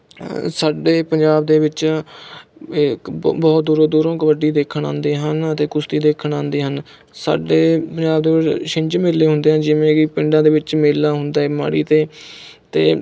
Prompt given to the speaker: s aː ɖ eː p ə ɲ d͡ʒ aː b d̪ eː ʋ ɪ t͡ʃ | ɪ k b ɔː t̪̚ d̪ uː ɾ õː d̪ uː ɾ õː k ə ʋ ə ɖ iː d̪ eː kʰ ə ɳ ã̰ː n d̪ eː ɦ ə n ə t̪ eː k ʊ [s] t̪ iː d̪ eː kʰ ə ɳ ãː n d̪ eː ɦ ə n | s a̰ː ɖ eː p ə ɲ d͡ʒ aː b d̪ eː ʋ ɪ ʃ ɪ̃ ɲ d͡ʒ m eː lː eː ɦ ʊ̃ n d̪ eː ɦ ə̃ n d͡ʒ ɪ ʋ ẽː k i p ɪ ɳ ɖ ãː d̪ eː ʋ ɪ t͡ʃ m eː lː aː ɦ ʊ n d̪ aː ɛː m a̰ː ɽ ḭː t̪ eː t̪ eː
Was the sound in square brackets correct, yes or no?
yes